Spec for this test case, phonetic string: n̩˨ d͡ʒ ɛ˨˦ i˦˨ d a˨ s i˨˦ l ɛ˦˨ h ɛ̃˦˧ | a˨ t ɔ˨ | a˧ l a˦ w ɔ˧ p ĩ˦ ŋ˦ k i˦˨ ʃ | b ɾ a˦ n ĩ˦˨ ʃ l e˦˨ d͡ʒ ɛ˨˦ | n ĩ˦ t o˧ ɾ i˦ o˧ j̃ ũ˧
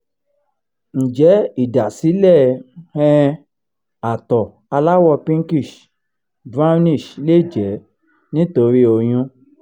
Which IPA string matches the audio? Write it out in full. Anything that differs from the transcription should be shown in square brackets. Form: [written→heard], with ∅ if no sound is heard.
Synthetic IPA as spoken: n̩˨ d͡ʒ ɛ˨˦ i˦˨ d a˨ s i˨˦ l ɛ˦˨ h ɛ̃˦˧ | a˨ t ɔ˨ | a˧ l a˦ w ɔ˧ p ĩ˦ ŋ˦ k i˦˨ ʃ | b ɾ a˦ n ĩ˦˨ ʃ l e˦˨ d͡ʒ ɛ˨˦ | n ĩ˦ t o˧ ɾ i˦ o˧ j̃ ũ˧